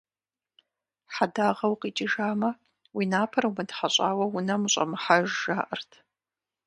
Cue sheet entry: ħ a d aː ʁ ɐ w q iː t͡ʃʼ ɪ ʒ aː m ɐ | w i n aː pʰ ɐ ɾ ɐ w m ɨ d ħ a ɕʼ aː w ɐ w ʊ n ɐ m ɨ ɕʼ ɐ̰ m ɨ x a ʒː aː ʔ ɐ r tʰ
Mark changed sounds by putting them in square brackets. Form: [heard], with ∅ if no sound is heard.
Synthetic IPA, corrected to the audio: ħ a d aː ʁ ɐ w q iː t͡ʃʼ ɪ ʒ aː m ɐ | w i n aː pʰ ɐ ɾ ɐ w m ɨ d ħ a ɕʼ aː w ɐ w ʊ n ɐ m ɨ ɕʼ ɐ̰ m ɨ [ħ] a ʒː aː ʔ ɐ r tʰ

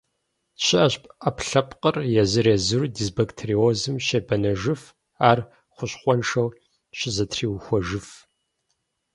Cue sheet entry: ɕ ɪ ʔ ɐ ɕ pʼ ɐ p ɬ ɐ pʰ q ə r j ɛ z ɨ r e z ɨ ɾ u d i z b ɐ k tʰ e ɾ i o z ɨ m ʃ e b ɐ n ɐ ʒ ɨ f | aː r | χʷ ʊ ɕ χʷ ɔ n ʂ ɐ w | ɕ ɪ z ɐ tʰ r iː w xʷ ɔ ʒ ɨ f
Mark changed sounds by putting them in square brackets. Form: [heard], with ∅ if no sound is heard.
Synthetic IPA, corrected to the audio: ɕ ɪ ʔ ɐ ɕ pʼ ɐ p ɬ ɐ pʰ q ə r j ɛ z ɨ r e z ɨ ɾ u d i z b ɐ k tʰ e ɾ i o z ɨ m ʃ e b ɐ n ɐ ʒ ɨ f | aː r | χʷ ʊ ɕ χʷ ɔ n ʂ ɐ w | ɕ ɪ z ɐ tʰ r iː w xʷ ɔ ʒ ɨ f

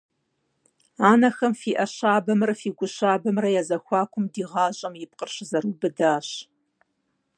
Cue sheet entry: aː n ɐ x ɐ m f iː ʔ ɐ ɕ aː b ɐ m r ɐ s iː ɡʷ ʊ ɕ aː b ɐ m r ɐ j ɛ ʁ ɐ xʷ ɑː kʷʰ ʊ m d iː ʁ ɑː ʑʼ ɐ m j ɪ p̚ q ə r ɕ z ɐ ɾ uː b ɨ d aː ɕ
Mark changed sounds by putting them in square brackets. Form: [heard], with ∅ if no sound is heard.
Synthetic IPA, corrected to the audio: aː n ɐ x ɐ m f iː ʔ ɐ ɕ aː b ɐ m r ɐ [f] iː ɡʷ ʊ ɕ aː b ɐ m r ɐ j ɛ [z] ɐ xʷ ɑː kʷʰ ʊ m d iː ʁ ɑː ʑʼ ɐ m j ɪ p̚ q ə r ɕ z ɐ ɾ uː b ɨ d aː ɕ

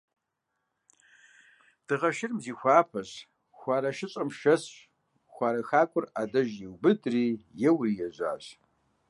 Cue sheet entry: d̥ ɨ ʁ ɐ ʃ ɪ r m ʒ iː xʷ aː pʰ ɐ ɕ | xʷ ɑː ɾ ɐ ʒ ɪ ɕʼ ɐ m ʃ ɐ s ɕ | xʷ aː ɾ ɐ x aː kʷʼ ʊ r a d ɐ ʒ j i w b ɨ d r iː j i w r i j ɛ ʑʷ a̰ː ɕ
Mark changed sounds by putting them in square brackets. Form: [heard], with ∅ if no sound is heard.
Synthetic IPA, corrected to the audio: d̥ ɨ ʁ ɐ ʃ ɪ r m [z] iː xʷ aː pʰ ɐ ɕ | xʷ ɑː ɾ ɐ [ʃ] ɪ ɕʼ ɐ m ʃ ɐ s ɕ | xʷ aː ɾ ɐ x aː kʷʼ ʊ r a d ɐ ʒ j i w b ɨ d r iː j [ɛ] w r i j ɛ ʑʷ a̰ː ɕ

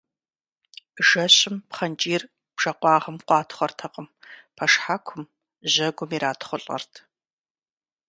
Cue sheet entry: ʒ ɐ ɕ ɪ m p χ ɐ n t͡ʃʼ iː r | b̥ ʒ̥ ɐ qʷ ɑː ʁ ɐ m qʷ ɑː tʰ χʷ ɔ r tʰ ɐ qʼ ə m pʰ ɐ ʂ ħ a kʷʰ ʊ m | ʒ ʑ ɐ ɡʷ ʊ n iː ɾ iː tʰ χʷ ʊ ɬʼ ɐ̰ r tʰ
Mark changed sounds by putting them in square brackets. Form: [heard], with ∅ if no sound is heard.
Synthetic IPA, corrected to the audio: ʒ ɐ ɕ ɪ m p χ ɐ n t͡ʃʼ iː r | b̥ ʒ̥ ɐ qʷ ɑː ʁ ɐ m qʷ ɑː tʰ χʷ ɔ r tʰ ɐ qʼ ə m pʰ ɐ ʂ ħ a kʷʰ ʊ m | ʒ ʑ ɐ ɡʷ ʊ [m] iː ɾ [aː] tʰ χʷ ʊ ɬʼ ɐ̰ r tʰ

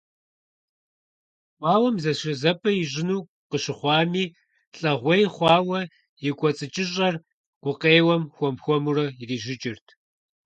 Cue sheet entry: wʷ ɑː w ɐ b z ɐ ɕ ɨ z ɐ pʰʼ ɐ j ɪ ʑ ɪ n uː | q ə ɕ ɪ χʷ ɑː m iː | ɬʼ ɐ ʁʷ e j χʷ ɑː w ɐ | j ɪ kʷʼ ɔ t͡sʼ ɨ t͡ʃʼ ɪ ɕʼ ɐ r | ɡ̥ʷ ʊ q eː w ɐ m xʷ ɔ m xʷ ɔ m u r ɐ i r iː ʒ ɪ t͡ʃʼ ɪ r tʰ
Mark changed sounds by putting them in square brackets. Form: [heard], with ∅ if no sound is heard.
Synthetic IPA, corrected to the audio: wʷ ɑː w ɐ [m] z ɐ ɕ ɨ z ɐ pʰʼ ɐ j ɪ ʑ ɪ n uː | q ə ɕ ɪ χʷ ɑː m iː | ɬʼ ɐ ʁʷ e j χʷ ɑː w ɐ | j ɪ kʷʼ ɔ t͡sʼ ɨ t͡ʃʼ ɪ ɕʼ ɐ r | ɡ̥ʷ ʊ q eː w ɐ m xʷ ɔ m xʷ ɔ m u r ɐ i r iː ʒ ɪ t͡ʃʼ ɪ r tʰ

